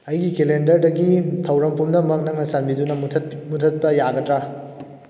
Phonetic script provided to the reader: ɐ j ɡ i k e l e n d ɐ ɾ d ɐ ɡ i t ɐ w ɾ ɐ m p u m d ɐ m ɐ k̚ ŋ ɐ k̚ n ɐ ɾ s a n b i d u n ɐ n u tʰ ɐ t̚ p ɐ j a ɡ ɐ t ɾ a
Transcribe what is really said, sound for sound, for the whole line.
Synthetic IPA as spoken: ɐ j ɡ i k e l e n d ɐ ɾ d ɐ ɡ i tʰ ɐ w ɾ ɐ m p u m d ɐ m ɐ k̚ n ɐ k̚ n ɐ s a n b i d u n ɐ m u tʰ ɐ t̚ p ɐ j a ɡ ɐ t ɾ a